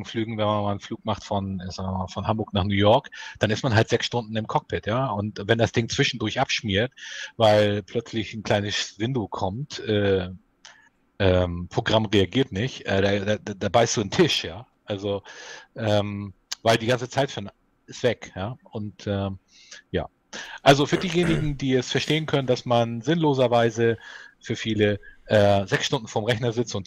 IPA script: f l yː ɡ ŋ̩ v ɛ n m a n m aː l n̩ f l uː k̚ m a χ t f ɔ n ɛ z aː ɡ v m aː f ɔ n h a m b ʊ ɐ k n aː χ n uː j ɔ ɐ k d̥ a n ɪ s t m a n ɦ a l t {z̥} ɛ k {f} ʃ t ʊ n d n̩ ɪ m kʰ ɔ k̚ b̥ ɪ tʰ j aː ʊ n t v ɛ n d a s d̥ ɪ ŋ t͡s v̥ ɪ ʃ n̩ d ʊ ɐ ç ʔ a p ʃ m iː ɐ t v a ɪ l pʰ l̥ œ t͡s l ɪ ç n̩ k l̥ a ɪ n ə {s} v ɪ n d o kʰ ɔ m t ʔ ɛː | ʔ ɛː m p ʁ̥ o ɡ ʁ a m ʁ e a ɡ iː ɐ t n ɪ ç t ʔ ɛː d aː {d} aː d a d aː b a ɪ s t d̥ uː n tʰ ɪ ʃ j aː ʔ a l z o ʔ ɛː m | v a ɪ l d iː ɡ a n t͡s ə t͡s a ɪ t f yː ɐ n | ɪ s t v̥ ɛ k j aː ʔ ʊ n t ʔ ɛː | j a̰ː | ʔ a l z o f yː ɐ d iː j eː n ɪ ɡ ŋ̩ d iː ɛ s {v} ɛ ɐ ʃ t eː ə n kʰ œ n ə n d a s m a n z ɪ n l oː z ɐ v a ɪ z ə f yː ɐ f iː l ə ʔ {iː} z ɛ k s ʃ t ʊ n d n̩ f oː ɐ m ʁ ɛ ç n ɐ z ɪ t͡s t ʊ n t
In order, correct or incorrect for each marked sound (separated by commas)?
correct, incorrect, correct, correct, incorrect, incorrect